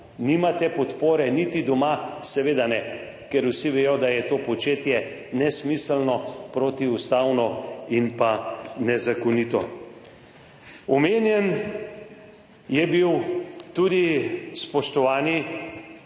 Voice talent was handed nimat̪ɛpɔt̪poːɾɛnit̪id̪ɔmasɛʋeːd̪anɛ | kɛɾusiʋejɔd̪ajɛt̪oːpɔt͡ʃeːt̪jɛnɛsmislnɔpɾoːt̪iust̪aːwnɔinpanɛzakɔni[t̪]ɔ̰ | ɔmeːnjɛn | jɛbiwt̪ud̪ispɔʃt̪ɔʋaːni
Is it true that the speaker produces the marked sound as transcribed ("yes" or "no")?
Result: yes